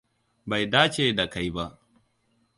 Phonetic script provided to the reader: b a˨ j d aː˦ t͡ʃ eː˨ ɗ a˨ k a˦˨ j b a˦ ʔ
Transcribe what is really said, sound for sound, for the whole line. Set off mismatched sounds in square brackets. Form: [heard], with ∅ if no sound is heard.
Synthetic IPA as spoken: b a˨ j d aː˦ t͡ʃ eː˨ [d] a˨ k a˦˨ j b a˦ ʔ